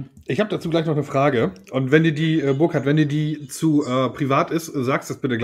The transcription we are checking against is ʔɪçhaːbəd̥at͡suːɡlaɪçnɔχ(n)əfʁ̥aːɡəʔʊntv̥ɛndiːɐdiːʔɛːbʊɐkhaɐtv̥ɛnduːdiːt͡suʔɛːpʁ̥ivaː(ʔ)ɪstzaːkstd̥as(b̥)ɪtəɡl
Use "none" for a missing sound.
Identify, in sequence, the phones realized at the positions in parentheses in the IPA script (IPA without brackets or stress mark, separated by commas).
n, t, b̥